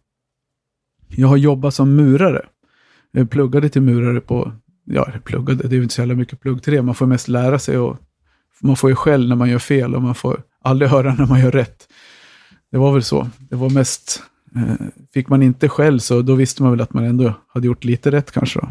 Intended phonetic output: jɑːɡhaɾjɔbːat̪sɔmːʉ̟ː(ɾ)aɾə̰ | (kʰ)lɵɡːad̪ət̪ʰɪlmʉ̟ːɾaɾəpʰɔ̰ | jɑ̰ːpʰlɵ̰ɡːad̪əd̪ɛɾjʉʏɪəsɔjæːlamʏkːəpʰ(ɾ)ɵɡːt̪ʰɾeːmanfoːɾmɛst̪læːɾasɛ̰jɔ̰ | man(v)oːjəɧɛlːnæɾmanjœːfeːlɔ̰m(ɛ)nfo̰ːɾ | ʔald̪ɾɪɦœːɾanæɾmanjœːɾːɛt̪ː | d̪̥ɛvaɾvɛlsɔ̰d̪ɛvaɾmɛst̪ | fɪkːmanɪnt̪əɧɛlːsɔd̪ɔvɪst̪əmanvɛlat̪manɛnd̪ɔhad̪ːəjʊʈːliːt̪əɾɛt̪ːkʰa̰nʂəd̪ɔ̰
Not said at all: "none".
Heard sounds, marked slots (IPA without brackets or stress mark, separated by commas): ɾ, pʰ, l, f, a